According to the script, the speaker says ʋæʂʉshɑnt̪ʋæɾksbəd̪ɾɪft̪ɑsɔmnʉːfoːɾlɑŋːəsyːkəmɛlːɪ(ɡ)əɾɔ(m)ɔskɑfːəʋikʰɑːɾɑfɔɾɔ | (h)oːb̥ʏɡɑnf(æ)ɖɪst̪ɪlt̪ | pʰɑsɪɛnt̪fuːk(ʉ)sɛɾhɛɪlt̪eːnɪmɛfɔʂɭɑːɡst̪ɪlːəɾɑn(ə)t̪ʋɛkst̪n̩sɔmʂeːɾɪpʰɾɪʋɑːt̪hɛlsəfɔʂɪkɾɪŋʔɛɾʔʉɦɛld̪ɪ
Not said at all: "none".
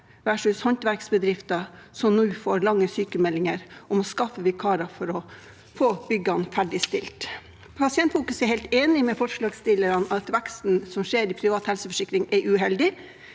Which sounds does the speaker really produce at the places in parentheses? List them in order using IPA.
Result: ŋ, m, f, æ, ʉ, ɑ

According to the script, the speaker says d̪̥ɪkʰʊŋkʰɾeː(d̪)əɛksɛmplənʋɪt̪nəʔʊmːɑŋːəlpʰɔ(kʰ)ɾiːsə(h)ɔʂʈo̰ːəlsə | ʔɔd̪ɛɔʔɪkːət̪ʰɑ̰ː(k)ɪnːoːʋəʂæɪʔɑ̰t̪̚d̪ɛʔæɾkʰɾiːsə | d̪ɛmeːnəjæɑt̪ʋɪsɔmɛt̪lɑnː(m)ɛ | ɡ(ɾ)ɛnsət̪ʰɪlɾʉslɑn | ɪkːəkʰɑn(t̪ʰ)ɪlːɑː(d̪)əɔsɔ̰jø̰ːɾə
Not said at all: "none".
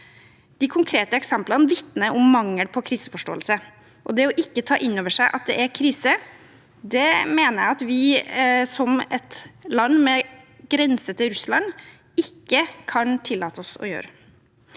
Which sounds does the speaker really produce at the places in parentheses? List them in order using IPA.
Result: t̪, kʰ, f, ʔ, m, ɾ, t̪ʰ, t̪

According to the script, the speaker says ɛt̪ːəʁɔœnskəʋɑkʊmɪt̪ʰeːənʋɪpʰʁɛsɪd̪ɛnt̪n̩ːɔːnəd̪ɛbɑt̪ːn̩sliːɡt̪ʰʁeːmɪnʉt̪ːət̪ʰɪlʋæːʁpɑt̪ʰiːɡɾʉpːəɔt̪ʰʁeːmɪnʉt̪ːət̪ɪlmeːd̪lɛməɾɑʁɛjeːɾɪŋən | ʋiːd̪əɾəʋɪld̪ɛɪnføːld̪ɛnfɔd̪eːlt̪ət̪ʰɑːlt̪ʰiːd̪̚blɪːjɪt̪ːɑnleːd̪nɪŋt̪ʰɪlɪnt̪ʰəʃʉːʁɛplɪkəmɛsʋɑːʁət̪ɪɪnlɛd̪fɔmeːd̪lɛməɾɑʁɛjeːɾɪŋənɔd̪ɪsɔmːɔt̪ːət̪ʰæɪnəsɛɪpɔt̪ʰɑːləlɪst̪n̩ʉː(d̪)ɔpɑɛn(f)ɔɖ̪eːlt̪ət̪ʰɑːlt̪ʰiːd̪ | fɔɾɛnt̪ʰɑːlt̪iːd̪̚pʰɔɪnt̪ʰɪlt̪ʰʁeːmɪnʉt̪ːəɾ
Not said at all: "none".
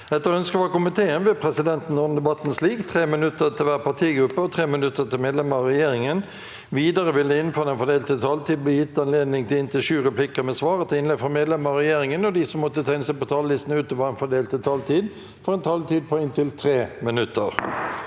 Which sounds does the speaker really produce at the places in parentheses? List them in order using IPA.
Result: t̪, f

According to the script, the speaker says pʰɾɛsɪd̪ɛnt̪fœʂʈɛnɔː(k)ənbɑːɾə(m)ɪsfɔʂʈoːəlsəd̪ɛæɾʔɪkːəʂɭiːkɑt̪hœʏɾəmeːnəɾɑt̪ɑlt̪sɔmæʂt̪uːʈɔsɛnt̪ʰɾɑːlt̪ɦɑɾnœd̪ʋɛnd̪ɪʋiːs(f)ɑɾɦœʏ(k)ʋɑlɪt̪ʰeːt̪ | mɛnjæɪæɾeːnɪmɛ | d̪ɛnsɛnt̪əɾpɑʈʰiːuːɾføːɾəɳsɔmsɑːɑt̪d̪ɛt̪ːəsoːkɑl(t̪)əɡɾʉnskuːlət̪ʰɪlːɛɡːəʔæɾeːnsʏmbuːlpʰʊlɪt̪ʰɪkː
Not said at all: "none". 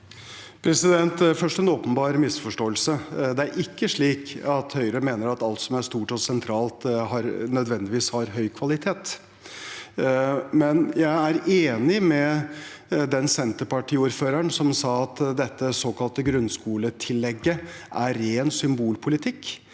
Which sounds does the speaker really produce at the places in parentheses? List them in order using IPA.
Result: p, m, h, kʰ, t̪

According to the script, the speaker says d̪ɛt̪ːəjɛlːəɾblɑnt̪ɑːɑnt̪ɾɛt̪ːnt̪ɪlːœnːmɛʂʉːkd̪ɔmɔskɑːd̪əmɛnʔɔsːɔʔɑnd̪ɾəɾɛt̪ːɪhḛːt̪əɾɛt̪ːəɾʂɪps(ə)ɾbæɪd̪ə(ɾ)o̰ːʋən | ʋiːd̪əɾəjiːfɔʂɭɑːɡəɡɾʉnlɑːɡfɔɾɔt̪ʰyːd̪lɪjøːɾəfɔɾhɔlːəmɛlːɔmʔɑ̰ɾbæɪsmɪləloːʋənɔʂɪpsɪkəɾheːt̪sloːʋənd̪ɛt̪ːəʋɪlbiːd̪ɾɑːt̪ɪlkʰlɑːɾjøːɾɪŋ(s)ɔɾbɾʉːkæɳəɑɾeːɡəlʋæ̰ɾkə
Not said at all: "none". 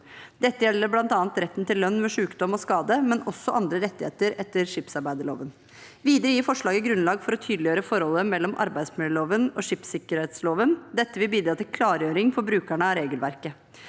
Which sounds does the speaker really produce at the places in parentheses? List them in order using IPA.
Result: ɑ, ɭ, f

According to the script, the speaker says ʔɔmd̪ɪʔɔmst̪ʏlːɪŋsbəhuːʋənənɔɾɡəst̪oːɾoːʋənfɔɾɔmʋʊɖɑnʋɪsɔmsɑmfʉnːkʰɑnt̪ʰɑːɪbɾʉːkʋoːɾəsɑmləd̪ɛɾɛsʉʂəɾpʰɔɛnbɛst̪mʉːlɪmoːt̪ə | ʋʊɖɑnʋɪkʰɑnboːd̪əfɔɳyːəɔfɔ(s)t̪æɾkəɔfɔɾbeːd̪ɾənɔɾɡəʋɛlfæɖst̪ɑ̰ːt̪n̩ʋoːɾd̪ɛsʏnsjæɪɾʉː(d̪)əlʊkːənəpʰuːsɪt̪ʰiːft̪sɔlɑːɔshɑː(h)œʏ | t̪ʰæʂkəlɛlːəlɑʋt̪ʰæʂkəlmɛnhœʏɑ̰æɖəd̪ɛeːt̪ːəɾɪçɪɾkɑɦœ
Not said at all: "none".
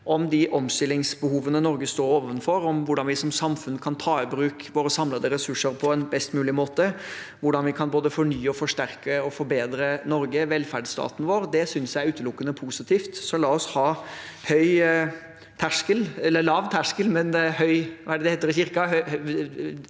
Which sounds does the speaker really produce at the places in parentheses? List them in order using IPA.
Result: ʂ, t̪, h

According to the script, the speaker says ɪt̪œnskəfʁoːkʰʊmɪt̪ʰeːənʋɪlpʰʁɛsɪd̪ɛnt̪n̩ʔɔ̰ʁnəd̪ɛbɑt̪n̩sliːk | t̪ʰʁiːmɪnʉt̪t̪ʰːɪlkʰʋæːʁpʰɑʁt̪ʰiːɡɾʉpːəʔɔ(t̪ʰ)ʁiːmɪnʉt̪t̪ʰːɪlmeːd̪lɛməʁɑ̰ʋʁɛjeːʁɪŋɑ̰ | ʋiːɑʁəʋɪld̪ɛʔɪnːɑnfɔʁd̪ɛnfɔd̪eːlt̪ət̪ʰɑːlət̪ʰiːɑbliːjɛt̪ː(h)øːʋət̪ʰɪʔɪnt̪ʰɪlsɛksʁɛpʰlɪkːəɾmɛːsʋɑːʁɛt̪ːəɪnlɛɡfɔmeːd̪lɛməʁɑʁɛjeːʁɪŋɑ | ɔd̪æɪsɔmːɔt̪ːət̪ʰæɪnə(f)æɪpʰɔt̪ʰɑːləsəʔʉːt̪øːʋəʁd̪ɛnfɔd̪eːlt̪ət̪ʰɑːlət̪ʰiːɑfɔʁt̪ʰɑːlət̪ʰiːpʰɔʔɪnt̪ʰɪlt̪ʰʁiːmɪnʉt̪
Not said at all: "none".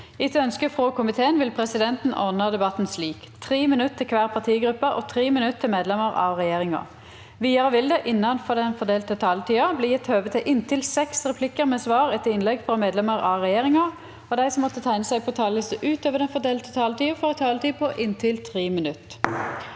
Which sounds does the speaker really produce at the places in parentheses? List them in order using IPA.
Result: t̪ʰ, h, s

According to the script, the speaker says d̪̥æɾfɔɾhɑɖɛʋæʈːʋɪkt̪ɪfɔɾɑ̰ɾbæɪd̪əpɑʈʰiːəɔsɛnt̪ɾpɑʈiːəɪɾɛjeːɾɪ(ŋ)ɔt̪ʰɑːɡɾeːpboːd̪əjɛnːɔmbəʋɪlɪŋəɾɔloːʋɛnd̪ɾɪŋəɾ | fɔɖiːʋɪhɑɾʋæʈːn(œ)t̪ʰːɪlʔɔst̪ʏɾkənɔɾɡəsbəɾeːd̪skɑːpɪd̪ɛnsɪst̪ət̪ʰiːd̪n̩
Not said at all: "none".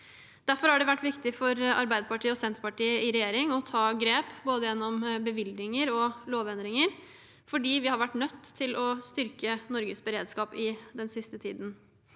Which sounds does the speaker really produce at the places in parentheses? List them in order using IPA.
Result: ŋ, œ

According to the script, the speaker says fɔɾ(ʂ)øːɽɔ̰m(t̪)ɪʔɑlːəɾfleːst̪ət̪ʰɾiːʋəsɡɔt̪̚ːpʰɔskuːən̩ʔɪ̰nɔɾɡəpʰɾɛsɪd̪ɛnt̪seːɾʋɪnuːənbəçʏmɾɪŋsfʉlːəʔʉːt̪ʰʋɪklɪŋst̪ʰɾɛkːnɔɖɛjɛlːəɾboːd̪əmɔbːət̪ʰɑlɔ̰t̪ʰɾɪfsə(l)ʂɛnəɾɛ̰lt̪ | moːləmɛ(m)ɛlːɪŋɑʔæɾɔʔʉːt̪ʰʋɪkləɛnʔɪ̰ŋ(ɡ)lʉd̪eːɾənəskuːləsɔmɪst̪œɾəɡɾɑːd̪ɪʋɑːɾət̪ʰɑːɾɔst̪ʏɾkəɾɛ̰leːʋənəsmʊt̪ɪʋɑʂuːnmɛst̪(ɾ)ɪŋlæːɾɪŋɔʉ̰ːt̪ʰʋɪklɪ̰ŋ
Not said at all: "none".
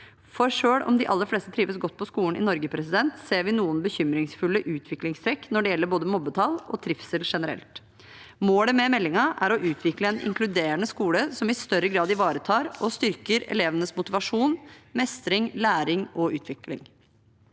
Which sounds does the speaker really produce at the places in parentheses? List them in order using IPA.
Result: ʂ, d̪, l, m, k, ɾ

